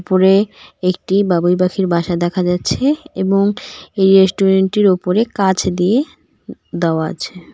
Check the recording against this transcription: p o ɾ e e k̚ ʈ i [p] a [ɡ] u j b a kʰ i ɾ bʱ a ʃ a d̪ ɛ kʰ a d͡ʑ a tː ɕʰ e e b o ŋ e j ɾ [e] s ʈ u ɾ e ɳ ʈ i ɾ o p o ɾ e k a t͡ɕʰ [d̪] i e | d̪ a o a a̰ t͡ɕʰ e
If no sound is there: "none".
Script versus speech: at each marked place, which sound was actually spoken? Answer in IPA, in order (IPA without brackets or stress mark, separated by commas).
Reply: b, b, e, d̪